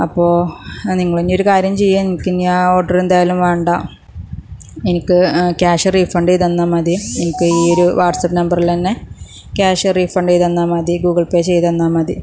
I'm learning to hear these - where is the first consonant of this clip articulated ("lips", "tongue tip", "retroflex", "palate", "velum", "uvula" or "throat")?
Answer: lips